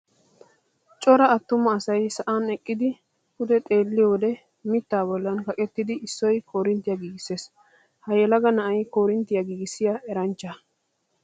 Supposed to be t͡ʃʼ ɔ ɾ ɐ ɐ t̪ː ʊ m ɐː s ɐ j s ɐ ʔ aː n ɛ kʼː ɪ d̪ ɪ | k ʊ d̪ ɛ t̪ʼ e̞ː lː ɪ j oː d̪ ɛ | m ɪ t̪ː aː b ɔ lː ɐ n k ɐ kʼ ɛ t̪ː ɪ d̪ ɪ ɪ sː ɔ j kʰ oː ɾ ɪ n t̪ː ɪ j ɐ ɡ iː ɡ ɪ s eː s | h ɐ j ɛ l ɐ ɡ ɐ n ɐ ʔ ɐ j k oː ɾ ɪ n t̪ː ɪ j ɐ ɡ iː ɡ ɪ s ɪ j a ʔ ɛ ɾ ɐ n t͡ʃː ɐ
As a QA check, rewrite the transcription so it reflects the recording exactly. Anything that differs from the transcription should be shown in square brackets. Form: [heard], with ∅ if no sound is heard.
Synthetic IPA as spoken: t͡ʃʼ ɔ ɾ ɐ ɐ t̪ː ʊ m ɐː s ɐ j s ɐ ʔ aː n ɛ kʼː ɪ d̪ ɪ | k ʊ d̪ ɛ t̪ʼ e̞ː lː ɪ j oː d̪ ɛ | m ɪ t̪ː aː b ɔ lː ɐ n k ɐ kʼ ɛ t̪ː ɪ d̪ ɪ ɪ sː ɔ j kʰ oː ɾ ɪ n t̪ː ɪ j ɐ ɡ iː ɡ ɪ s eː s | h ɐ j ɛ l ɐ ɡ ɐ n ɐ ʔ ɐ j k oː ɾ ɪ n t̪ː ɪ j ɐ ɡ iː ɡ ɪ s ɪ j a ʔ ɛ ɾ ɐ n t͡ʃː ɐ